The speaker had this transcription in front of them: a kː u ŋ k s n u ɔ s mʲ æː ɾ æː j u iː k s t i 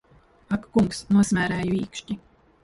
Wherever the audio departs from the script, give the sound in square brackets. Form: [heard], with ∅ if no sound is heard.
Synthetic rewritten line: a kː u ŋ k s n u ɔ s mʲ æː ɾ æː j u iː k [ʃ] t i